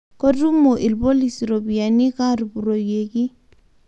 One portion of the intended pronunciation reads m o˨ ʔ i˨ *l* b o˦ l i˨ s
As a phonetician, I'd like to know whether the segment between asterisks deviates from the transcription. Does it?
no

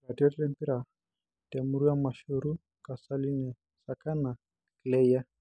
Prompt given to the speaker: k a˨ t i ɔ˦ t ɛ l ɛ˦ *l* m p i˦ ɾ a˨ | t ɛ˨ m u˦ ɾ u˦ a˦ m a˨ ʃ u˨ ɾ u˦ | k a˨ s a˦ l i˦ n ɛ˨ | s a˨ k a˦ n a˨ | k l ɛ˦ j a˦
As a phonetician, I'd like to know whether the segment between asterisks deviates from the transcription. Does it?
yes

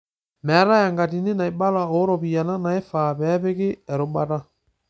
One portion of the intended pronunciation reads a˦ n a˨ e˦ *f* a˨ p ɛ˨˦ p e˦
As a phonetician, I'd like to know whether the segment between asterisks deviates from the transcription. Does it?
no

